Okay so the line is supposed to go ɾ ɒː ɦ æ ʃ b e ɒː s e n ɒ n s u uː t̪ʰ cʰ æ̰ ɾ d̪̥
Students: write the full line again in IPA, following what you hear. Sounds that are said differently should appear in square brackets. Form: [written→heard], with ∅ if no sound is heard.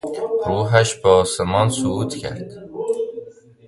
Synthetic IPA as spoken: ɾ [ɒː→uː] ɦ æ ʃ b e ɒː s e [n→m] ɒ n s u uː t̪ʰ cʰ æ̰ ɾ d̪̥